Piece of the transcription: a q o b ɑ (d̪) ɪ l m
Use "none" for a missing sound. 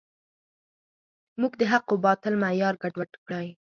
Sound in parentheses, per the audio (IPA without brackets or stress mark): t̪